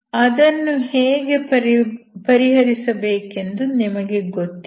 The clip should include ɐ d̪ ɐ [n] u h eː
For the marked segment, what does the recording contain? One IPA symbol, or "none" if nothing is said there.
nː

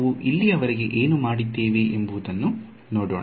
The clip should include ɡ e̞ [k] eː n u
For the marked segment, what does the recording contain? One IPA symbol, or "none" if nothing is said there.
ʔ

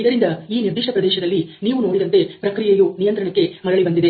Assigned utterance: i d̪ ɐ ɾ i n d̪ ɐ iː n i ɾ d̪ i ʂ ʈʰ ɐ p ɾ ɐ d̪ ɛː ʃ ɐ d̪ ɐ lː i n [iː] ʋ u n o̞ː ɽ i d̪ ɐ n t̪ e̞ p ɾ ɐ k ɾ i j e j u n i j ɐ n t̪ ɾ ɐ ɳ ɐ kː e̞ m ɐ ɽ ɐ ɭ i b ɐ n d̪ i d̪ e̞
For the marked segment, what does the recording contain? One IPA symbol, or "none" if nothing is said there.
iː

